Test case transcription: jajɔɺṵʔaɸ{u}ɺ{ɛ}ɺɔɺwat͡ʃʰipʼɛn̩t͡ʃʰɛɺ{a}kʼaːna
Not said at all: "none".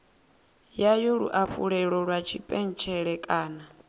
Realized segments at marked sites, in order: u, ɛ, ɛ

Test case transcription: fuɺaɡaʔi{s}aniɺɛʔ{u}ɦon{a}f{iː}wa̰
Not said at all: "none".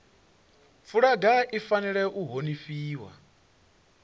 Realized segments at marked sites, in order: f, u, i, iː

